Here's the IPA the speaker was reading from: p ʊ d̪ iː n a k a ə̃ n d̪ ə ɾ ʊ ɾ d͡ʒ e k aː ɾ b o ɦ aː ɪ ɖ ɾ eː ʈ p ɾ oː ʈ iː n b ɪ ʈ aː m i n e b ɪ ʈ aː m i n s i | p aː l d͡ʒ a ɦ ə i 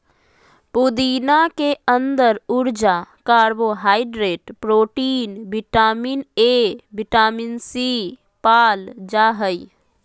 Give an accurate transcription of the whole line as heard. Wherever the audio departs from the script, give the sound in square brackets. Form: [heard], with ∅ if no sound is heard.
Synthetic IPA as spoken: p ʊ d̪ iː n a k [e] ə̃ n d̪ ə ɾ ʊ ɾ d͡ʒ [a] k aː ɾ b o ɦ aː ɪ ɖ ɾ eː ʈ p ɾ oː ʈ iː n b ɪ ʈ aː m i n e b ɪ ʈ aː m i n s i | p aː l d͡ʒ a ɦ ə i